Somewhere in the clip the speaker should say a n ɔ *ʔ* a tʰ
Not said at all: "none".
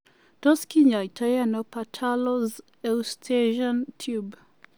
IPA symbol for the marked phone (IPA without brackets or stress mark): p